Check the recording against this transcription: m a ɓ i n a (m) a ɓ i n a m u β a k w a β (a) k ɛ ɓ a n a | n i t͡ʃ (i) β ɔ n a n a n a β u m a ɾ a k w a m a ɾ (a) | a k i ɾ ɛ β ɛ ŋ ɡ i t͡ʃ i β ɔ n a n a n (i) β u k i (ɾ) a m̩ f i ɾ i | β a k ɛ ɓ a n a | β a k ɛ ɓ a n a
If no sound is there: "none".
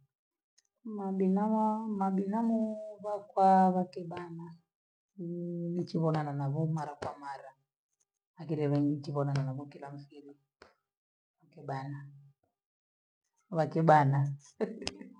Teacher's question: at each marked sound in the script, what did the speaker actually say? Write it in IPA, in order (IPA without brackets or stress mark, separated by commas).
m, a, i, a, a, l